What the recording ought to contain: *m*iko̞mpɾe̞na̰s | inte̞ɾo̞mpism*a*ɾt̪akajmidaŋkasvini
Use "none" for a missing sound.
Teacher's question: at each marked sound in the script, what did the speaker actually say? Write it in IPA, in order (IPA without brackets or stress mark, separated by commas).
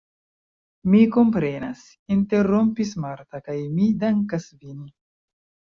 m, a